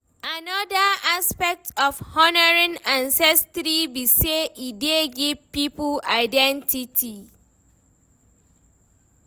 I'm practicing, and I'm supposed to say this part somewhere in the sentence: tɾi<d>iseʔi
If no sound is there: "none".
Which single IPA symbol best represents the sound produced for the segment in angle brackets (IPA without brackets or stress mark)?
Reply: b